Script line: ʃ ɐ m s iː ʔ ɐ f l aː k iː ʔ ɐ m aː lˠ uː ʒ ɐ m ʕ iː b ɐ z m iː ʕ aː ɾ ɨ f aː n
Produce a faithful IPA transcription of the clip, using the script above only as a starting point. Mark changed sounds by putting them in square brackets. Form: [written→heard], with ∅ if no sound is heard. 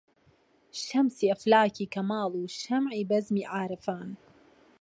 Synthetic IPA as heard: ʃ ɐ m s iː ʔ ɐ f l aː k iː [ʔ→k] ɐ m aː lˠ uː [ʒ→ʃ] ɐ m ʕ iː b ɐ z m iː ʕ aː ɾ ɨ f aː n